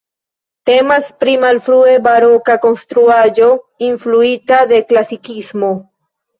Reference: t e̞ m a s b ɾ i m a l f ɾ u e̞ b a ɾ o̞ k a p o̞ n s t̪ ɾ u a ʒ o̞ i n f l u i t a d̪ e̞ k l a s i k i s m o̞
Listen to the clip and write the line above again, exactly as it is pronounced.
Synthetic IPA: t e̞ m a s p ɾ i m a l f ɾ u e̞ b a ɾ o̞ k a k o̞ n s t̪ ɾ u a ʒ o̞ i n f l u i t a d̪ e̞ k l a s i k i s m o̞